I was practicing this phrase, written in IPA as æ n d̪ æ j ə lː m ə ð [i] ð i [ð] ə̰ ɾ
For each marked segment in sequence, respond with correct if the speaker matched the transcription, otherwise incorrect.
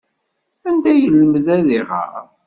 incorrect: æ, incorrect: ʁ

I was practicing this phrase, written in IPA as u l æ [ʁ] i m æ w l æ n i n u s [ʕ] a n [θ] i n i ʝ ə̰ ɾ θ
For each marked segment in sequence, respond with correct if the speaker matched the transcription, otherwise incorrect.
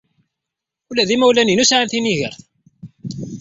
incorrect: ð, correct, correct

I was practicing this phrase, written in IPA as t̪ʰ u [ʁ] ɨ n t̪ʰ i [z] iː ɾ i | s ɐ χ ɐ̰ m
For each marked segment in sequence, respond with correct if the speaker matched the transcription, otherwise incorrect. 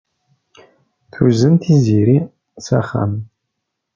incorrect: z, correct

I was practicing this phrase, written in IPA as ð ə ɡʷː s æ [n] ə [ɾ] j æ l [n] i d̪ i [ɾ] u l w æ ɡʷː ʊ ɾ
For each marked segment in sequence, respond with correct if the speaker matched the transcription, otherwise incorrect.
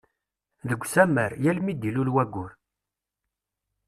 incorrect: m, correct, incorrect: m, incorrect: l

